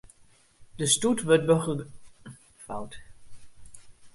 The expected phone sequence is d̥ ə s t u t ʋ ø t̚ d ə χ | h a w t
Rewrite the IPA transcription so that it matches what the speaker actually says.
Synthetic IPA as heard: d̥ ə s t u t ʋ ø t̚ b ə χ | f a w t